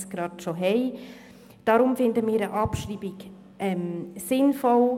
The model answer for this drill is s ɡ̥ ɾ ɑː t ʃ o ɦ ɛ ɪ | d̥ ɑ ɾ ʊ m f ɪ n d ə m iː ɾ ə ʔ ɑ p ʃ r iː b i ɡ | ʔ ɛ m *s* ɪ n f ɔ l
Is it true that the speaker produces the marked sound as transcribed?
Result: yes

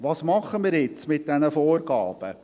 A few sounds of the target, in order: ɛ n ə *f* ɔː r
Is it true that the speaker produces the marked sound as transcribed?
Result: yes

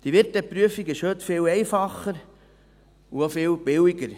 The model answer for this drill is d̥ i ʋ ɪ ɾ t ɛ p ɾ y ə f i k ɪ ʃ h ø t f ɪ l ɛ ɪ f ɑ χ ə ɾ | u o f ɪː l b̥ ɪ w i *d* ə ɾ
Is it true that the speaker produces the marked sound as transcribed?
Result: no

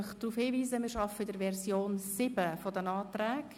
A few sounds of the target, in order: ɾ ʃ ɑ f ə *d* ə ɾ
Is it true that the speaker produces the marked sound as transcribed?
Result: yes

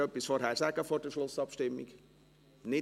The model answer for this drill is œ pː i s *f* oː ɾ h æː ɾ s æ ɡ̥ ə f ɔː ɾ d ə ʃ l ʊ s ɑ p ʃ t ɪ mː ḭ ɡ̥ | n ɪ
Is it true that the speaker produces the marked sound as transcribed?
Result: yes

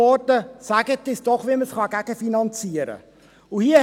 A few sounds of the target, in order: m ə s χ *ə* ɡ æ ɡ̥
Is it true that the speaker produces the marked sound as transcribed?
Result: no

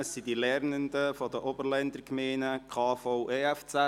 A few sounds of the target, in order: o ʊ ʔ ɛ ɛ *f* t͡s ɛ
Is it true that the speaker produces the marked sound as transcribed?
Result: yes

